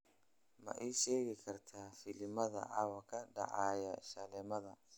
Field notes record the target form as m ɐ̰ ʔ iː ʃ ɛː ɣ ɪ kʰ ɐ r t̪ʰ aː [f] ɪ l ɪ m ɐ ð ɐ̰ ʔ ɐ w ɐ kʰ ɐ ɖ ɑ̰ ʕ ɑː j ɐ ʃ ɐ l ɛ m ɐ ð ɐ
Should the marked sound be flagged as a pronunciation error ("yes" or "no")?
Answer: no